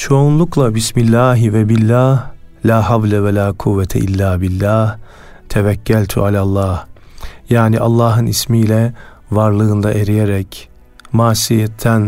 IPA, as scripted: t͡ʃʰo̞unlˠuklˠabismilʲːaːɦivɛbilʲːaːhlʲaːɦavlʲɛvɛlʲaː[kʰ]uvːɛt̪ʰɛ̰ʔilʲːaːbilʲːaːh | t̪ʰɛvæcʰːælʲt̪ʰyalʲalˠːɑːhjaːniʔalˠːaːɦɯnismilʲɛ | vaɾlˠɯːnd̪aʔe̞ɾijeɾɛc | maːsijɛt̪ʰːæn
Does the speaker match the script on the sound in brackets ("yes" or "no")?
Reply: yes